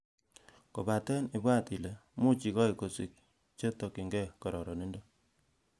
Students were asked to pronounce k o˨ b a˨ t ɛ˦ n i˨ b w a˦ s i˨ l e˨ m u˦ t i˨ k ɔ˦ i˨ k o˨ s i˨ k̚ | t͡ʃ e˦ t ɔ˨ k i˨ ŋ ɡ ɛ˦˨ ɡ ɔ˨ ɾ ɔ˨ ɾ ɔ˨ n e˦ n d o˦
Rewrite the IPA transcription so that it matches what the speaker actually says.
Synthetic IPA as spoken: k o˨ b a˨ t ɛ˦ n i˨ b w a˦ t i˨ l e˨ m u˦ t͡ʃ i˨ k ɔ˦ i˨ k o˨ s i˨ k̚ | t͡ʃ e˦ t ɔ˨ k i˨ ŋ ɡ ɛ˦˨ k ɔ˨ ɾ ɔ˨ ɾ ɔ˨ n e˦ n d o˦